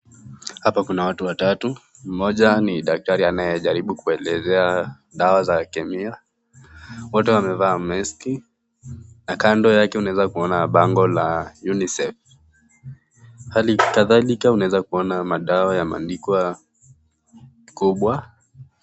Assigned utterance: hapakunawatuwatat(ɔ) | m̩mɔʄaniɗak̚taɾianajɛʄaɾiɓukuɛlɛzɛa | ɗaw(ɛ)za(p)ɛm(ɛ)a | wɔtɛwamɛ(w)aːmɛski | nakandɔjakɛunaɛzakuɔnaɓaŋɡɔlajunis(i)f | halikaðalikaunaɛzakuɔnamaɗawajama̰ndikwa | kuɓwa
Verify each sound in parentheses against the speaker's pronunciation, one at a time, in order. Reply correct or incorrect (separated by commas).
incorrect, incorrect, incorrect, incorrect, incorrect, incorrect